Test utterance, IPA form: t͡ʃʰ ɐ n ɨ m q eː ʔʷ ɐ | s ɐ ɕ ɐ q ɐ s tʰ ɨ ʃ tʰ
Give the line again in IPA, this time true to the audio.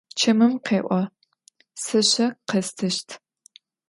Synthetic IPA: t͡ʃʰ ɐ m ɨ m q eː ʔʷ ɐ | s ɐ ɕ ɐ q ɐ s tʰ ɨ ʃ tʰ